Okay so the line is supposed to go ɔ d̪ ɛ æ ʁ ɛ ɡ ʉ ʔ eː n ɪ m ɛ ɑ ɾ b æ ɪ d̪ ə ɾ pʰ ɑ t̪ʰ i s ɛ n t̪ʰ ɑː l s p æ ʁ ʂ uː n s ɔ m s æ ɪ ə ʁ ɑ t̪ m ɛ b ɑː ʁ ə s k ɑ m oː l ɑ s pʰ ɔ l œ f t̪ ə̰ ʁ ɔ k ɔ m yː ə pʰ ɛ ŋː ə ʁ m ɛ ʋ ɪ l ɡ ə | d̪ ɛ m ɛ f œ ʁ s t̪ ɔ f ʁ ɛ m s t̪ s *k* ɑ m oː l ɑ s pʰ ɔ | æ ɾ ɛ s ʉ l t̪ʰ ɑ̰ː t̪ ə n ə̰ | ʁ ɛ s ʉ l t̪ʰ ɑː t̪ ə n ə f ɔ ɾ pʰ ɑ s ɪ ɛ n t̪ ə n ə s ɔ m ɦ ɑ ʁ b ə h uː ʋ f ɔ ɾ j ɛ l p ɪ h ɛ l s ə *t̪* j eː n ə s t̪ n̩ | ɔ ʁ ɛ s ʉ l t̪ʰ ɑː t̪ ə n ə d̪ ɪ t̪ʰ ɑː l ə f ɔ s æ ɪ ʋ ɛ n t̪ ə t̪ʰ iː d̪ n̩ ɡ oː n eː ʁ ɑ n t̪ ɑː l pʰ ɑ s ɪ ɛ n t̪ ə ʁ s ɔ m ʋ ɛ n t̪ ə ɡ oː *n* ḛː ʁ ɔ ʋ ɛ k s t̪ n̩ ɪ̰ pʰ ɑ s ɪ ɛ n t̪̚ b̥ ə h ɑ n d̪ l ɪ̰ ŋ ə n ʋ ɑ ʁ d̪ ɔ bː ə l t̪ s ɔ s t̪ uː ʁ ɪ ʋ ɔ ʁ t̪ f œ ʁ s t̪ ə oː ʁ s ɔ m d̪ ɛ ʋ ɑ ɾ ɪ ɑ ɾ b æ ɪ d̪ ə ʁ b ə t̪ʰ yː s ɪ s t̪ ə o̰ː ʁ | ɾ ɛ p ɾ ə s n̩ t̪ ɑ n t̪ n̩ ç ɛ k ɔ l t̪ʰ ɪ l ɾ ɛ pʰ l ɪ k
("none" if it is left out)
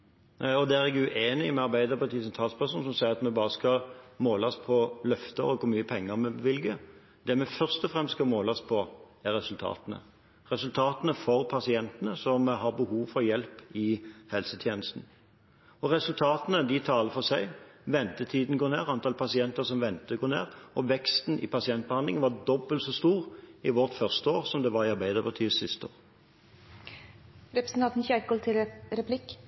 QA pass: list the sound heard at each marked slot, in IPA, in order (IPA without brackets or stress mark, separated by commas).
k, t̪ʰ, n